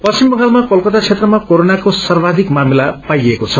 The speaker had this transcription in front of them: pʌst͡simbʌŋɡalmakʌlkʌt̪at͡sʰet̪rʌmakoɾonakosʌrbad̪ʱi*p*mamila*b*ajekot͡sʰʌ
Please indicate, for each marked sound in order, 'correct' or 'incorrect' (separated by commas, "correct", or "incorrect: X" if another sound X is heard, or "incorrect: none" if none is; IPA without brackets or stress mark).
incorrect: k, incorrect: p